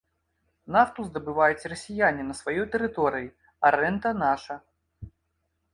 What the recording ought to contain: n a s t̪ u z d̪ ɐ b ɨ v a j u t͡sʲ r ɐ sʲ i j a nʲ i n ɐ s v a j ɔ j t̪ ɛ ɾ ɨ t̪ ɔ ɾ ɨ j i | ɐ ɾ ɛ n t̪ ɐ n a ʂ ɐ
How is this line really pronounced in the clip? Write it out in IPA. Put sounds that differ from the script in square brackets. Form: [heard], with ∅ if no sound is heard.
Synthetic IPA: n a [f] t̪ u z d̪ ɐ b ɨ v a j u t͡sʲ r ɐ sʲ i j a nʲ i n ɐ s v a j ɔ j t̪ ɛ ɾ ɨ t̪ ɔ ɾ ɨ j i | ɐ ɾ ɛ n t̪ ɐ n a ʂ ɐ